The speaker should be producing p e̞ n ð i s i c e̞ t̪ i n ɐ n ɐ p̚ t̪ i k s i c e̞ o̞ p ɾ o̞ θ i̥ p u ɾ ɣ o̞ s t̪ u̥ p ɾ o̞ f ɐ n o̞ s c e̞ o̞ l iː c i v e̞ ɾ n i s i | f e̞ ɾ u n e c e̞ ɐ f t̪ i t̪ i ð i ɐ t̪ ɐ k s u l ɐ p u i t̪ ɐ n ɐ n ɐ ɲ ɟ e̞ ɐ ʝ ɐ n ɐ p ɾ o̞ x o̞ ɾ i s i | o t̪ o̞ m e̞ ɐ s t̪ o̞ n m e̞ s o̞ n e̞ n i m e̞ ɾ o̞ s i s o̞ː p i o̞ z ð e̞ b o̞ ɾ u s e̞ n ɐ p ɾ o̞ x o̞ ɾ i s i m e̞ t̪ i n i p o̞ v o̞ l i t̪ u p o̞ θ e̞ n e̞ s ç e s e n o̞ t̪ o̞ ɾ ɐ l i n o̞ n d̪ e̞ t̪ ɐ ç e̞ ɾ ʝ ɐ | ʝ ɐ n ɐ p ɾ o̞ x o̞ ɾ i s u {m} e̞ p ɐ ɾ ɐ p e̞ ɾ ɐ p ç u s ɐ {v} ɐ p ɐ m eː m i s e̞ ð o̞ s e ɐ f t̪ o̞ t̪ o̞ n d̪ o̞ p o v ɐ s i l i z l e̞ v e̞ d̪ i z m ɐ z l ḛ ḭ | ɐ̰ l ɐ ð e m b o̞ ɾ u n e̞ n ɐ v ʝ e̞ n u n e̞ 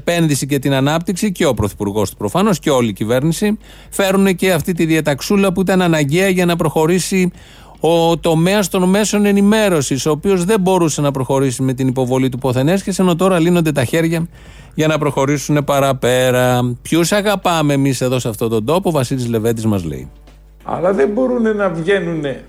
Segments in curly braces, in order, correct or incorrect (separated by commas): incorrect, incorrect